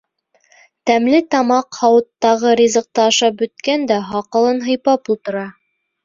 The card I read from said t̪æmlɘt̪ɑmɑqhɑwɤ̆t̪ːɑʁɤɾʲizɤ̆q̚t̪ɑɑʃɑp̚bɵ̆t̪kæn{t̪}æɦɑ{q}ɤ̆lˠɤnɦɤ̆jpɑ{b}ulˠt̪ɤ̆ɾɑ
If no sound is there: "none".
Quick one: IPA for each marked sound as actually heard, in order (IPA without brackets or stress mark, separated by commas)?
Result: d̪, q, p